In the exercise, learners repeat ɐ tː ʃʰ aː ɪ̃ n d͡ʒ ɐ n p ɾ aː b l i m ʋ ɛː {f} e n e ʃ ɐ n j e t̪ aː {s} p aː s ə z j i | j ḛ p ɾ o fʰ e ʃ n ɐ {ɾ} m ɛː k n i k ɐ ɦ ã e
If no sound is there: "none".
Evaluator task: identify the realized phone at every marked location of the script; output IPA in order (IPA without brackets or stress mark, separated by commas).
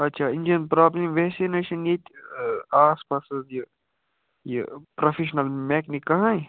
s, s, l